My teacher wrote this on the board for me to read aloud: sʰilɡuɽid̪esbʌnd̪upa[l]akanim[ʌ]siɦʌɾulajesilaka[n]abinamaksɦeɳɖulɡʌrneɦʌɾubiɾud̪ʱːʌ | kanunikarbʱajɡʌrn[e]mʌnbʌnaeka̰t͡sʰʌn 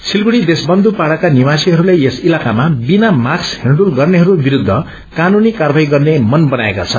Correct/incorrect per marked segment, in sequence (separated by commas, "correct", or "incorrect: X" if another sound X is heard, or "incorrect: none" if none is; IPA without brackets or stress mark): incorrect: ɽ, incorrect: a, incorrect: m, correct